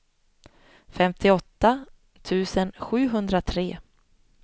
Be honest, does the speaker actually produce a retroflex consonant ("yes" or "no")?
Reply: no